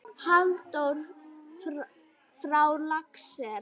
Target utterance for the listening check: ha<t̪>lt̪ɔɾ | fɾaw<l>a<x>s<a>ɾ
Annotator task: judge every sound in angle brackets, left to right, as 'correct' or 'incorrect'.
incorrect: none, correct, incorrect: k, incorrect: ɛ

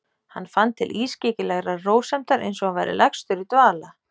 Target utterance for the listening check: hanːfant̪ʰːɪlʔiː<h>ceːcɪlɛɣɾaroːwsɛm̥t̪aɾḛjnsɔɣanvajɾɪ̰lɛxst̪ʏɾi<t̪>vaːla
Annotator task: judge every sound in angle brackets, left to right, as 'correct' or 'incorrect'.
incorrect: s, correct

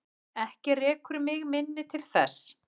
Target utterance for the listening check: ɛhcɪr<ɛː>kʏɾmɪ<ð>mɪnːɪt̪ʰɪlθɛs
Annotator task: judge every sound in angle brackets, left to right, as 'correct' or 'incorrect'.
correct, incorrect: ɣ

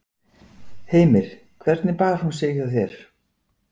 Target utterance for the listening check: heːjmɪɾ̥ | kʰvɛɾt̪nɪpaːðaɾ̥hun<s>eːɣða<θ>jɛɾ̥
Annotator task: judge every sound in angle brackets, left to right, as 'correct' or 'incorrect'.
correct, correct

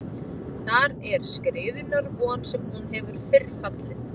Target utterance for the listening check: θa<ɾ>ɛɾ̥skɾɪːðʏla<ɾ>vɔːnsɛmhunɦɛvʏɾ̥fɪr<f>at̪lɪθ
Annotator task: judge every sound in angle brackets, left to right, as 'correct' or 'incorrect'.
correct, correct, correct

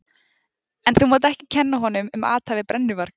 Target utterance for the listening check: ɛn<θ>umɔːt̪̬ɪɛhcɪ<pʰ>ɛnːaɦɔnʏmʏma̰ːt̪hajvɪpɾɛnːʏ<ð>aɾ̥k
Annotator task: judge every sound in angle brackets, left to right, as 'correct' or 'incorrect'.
correct, incorrect: cʰ, incorrect: v

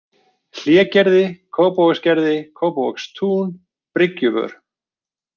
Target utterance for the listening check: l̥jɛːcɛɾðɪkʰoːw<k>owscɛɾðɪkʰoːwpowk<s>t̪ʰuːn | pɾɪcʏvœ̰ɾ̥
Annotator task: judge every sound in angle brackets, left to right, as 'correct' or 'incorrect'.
incorrect: p, correct

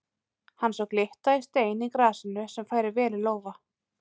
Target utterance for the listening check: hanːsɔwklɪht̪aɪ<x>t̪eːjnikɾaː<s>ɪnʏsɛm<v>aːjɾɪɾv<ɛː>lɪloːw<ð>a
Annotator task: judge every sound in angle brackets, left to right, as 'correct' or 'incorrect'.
incorrect: s, correct, incorrect: f, correct, incorrect: v

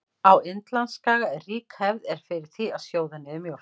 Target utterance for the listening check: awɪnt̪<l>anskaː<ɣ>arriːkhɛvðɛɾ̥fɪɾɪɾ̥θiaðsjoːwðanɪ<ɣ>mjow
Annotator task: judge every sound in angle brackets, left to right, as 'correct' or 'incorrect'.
correct, correct, incorrect: ð

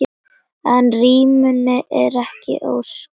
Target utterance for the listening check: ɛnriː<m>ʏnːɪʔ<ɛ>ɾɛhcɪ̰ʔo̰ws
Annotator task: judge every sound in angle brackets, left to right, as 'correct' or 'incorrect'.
correct, correct

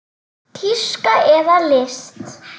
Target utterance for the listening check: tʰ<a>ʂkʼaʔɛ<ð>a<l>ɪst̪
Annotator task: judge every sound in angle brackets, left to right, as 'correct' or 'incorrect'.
incorrect: i, correct, correct

